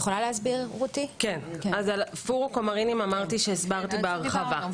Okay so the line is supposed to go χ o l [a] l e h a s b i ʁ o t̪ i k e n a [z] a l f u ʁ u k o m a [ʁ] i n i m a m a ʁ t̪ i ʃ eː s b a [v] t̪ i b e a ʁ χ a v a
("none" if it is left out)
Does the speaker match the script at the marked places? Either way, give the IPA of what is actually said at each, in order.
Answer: a, z, ʁ, ʁ

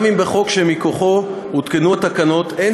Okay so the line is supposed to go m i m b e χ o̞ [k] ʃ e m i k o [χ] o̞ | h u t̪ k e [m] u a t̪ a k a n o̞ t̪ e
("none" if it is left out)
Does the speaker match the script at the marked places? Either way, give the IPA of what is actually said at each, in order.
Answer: k, χ, n

